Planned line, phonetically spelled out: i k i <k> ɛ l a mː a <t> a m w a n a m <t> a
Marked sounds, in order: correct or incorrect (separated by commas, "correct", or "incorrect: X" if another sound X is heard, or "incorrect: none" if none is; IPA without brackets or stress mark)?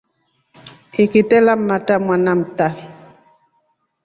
incorrect: t, correct, correct